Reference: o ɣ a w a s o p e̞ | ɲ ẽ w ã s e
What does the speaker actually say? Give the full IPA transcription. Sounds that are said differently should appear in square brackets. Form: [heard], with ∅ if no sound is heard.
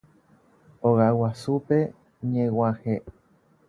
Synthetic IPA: o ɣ a w a s [u] p e̞ | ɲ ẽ w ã [h] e